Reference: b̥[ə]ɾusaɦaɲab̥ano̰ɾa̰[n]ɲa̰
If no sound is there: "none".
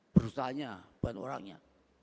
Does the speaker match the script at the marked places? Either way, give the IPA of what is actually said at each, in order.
ə, ŋ

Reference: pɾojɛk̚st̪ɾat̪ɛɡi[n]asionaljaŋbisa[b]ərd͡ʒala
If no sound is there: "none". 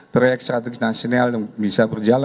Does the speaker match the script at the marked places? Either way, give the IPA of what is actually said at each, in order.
n, b

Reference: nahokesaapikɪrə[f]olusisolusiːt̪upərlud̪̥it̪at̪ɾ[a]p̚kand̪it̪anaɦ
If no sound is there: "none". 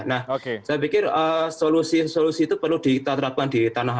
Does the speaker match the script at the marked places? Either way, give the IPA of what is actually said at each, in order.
s, a

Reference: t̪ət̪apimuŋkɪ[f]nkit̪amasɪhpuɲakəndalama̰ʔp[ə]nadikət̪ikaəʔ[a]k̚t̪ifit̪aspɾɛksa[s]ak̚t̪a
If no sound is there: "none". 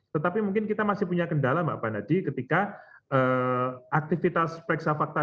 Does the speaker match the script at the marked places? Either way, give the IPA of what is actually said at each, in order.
none, a, a, f

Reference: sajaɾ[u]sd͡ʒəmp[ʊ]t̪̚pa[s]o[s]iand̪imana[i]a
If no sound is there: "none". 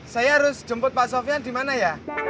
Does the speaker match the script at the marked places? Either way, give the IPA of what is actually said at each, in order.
ʊ, ʊ, s, f, j

